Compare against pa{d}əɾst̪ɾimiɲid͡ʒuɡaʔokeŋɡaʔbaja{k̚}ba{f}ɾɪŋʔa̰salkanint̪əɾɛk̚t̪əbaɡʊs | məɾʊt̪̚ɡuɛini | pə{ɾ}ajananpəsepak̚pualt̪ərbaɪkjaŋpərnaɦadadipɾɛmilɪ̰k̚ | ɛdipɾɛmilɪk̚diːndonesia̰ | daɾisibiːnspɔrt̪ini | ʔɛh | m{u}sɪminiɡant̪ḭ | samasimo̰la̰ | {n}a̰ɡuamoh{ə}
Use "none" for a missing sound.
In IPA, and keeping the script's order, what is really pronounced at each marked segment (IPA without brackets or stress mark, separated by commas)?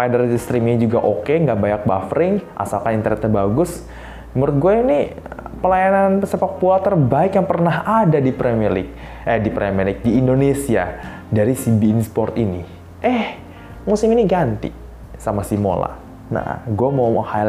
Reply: d, k̚, f, l, u, n, a